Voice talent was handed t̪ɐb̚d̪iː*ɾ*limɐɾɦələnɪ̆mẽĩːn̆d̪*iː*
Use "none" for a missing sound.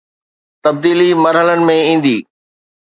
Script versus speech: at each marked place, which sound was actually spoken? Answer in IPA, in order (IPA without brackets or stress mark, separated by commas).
none, iː